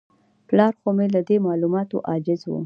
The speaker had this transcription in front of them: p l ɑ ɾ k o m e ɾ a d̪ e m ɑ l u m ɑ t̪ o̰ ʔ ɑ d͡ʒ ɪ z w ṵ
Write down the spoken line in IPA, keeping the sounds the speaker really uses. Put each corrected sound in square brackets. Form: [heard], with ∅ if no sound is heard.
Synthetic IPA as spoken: p l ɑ ɾ [x] o m e [l] a d̪ e m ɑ l u m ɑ t̪ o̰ ʔ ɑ d͡ʒ ɪ z w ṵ